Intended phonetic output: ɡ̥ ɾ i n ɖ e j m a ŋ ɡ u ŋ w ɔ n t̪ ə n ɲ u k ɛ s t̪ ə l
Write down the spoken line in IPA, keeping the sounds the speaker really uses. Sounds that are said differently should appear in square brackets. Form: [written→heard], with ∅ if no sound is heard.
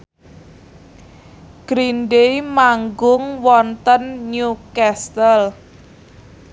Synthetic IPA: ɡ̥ ɾ i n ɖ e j m a ŋ ɡ [u→ʊ] ŋ w ɔ n t̪ ə n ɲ u k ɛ s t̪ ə l